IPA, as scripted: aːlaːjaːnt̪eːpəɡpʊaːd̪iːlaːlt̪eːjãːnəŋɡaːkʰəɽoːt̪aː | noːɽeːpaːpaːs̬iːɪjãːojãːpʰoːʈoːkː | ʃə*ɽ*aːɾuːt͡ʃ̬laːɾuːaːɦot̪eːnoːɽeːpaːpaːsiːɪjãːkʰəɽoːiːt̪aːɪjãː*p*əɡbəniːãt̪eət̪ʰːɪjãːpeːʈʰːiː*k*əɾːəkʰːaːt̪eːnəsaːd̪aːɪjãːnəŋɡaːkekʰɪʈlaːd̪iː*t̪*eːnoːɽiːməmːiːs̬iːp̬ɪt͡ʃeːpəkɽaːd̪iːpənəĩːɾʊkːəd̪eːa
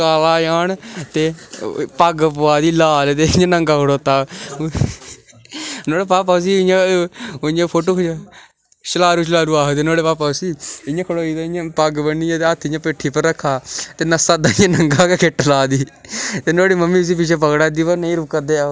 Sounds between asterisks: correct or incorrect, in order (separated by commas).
incorrect, correct, incorrect, correct